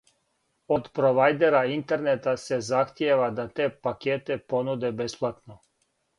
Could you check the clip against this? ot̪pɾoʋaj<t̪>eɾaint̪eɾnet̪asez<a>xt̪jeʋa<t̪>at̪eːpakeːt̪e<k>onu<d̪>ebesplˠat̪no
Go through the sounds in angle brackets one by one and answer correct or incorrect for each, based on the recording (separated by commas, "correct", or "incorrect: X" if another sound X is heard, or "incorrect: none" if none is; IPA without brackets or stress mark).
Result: incorrect: d̪, correct, incorrect: d̪, incorrect: p, correct